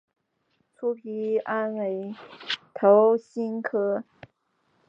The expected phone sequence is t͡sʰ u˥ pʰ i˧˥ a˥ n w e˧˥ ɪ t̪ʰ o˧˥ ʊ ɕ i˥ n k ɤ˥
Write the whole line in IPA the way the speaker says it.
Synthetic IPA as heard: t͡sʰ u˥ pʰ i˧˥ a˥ n w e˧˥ ɪ t̪ʰ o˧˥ ʊ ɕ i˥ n kʰ ɤ˥